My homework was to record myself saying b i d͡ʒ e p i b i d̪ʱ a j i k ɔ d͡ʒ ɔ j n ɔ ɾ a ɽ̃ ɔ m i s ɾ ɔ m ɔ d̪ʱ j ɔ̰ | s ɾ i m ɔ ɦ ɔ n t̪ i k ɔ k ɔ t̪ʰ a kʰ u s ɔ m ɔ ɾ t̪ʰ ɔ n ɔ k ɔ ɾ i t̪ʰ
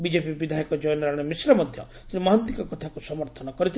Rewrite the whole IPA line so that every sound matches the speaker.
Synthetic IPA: b i d͡ʒ e p i b i d̪ʱ a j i k ɔ d͡ʒ ɔ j n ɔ ɾ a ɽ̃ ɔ m i s ɾ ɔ m ɔ d̪ʱ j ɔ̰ | s ɾ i m ɔ ɦ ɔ n t̪ i k ɔ k ɔ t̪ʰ a k u s ɔ m ɔ ɾ t̪ʰ ɔ n ɔ k ɔ ɾ i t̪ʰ